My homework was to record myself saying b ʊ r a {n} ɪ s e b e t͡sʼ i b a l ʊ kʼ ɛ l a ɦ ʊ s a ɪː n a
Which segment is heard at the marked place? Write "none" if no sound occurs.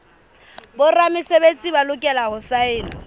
m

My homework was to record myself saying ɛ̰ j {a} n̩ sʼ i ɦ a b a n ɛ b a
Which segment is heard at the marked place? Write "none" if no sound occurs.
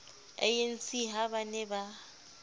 e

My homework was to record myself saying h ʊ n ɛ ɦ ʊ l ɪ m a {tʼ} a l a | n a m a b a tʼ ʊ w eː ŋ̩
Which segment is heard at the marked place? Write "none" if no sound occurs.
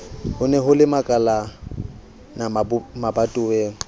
kʼ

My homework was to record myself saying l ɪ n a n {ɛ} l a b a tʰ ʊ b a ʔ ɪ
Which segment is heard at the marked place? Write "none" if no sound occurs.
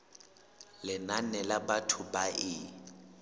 ɛ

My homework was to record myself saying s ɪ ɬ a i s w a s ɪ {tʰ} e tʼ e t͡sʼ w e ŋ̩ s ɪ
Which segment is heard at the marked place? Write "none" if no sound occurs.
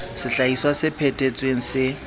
pʰ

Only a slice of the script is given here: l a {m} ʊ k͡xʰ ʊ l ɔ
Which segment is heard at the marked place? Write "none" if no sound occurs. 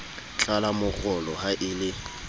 m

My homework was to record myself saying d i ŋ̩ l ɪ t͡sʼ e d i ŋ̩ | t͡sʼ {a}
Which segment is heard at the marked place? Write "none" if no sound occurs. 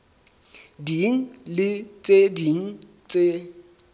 e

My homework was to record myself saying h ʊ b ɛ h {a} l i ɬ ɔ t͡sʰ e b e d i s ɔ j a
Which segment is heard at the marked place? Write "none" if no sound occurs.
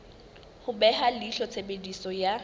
a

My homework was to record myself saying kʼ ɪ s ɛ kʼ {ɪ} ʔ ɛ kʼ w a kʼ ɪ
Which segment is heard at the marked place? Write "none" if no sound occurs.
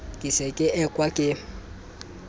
ɪ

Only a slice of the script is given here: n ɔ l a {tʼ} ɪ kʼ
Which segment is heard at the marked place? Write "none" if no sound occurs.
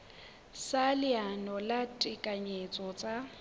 tʼ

